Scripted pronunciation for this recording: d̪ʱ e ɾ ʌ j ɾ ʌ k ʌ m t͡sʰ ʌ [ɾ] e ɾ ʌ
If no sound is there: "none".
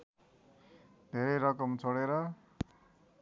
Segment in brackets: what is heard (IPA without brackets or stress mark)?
ɽ